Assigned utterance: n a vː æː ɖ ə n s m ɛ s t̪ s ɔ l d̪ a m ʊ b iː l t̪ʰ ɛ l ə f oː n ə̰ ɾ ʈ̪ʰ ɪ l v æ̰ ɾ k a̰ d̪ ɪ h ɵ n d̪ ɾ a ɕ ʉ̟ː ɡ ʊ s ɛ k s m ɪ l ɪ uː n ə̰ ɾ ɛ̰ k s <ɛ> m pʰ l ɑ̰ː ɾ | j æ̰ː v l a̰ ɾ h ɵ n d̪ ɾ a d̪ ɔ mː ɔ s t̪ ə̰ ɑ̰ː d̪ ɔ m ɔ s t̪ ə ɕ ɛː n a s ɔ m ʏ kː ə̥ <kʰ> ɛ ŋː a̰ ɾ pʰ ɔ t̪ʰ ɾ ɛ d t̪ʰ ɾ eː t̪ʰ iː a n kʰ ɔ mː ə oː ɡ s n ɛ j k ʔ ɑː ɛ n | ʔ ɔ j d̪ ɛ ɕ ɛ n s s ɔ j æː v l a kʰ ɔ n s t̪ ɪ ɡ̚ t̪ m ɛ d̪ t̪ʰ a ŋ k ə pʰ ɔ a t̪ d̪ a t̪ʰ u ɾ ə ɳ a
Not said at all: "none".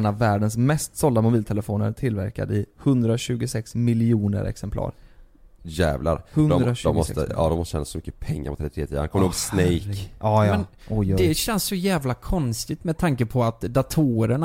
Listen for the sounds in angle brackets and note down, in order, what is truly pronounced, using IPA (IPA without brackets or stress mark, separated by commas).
ɛ, pʰ